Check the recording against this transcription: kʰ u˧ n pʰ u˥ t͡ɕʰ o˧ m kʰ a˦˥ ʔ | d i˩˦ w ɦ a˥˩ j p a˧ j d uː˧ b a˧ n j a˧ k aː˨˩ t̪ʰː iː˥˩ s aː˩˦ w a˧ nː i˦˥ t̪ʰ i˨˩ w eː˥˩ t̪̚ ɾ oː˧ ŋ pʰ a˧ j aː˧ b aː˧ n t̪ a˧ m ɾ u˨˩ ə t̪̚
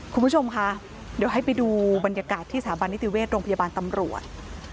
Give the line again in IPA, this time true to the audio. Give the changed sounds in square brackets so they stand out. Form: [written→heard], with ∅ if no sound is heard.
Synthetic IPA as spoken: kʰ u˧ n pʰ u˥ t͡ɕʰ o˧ m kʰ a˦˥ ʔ | d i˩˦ w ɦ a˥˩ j p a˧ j d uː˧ b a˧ n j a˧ k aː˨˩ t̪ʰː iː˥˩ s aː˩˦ [w→b] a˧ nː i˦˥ [t̪ʰ→t̪] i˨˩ w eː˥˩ t̪̚ ɾ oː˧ ŋ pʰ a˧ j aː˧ b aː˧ n t̪ a˧ m ɾ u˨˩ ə t̪̚